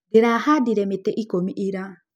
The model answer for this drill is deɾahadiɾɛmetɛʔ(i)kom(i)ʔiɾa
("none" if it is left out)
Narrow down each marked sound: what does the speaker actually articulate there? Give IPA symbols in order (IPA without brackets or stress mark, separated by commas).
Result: i, i